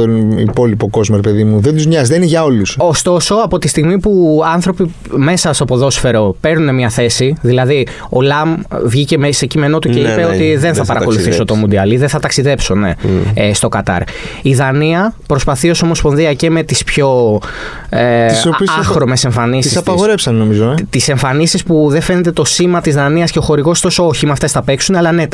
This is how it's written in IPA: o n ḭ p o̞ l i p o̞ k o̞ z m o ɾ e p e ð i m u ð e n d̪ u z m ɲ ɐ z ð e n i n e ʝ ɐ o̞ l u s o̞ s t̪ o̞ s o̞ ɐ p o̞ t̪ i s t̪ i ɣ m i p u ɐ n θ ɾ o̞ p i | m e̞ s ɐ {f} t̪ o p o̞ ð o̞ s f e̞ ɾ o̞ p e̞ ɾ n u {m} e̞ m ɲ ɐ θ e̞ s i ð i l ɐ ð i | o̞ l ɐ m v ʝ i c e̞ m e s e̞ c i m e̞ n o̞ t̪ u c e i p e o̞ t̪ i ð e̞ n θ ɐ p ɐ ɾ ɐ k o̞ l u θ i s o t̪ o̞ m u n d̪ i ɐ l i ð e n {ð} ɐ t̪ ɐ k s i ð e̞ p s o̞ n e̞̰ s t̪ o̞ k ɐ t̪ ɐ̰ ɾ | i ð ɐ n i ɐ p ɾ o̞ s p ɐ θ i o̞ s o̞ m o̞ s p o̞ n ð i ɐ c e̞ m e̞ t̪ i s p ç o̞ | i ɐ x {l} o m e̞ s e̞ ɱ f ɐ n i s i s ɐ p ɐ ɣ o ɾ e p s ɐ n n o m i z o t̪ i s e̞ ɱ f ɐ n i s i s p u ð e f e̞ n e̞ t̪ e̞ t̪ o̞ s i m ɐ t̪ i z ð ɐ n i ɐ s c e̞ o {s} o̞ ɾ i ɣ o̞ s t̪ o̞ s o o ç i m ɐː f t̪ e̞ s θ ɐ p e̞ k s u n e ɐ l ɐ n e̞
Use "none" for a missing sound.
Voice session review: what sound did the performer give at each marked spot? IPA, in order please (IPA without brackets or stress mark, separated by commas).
s, n, θ, ɾ, x